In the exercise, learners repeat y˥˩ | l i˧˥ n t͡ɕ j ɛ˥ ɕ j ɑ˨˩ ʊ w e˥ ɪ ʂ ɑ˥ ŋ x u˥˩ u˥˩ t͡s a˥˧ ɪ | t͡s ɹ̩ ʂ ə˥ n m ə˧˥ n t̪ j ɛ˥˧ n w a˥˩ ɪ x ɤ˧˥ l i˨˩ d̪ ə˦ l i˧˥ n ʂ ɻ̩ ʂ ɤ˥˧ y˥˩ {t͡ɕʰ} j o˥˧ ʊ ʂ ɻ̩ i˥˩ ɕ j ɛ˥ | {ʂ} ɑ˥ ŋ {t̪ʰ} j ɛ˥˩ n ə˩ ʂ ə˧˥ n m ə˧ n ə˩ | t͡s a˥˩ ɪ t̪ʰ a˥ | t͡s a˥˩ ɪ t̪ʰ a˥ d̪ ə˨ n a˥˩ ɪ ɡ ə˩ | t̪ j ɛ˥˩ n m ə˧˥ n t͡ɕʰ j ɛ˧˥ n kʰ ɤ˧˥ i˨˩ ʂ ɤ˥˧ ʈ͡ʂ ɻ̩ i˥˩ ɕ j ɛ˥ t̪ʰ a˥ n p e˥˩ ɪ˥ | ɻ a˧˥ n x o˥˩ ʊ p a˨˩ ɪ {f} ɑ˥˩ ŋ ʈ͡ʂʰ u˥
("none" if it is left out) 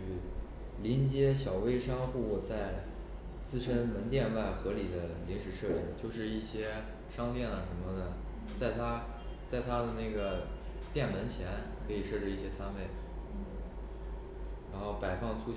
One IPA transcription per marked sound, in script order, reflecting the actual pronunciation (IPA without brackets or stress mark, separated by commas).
t͡ɕ, ʂ, t̪, f